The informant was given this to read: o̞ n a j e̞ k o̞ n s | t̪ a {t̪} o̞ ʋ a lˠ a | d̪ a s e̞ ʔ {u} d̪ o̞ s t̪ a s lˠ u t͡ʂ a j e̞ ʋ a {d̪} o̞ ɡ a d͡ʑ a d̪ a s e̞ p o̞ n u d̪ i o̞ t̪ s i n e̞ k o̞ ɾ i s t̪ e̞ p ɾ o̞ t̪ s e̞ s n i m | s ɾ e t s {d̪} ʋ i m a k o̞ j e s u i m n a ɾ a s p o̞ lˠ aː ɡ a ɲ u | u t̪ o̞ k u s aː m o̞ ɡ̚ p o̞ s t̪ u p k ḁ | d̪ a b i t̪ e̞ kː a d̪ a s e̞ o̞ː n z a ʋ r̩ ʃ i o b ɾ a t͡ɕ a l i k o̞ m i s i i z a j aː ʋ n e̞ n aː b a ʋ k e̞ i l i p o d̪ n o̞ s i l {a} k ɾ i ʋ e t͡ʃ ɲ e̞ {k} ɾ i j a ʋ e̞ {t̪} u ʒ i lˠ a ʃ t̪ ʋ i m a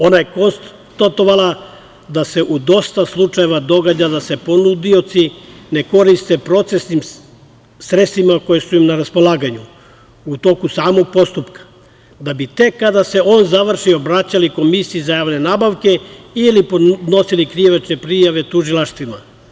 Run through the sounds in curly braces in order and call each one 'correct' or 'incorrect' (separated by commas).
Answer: correct, correct, correct, incorrect, incorrect, incorrect, correct